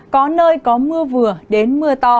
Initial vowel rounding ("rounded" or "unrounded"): rounded